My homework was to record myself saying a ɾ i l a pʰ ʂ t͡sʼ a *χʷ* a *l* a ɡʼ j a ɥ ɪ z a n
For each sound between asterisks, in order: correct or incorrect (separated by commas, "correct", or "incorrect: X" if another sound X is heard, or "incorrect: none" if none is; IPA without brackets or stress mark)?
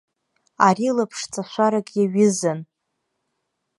incorrect: ʃʷ, incorrect: ɾ